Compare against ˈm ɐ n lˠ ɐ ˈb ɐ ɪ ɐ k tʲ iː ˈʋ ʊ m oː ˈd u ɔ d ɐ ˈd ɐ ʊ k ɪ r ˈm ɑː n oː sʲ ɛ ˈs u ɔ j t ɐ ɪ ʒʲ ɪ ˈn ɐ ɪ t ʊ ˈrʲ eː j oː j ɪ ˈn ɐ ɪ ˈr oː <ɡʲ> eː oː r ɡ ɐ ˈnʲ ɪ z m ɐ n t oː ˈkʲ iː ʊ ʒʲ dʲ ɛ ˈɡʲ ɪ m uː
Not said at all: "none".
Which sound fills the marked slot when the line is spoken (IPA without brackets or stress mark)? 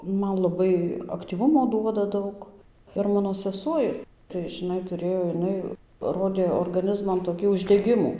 dʲ